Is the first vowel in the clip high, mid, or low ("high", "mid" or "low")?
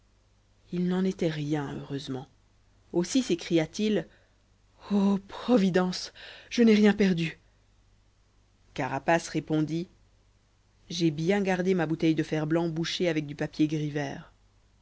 high